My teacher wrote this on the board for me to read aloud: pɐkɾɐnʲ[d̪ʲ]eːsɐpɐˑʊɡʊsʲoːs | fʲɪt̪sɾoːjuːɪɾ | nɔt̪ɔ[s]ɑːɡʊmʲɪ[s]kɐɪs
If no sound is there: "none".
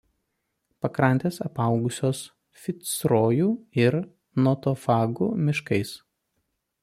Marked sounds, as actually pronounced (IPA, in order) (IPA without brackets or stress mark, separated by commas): t̪ʲ, f, ʃ